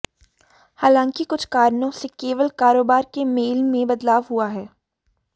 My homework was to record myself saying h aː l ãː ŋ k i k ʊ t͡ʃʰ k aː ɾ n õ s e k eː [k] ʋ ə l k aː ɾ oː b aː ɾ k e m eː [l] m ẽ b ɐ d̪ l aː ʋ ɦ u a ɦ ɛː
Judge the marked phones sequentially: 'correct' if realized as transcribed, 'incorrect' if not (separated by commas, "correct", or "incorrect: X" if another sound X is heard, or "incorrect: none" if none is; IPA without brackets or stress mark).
incorrect: none, correct